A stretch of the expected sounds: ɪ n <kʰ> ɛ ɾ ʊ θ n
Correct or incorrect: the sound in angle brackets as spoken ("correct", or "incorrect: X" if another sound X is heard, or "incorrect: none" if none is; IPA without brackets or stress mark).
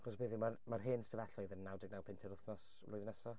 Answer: incorrect: tʰ